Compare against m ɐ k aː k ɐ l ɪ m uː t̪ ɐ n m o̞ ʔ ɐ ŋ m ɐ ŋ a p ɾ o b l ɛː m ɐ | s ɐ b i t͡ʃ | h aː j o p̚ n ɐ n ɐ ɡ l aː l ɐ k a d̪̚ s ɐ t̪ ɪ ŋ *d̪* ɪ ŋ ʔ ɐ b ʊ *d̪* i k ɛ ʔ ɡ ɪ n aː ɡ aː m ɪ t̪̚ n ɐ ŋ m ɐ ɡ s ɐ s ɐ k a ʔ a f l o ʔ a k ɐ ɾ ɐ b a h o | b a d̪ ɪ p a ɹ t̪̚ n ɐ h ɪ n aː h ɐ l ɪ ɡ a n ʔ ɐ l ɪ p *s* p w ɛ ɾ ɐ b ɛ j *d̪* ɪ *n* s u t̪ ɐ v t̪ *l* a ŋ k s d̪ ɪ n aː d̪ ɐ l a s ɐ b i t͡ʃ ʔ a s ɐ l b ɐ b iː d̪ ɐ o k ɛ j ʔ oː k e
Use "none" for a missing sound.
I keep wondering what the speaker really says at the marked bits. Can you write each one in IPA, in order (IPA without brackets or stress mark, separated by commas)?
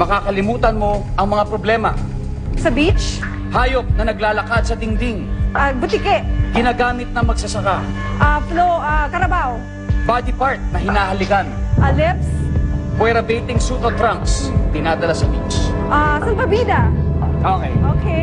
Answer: d̪, t̪, s, t̪, ŋ, ɾ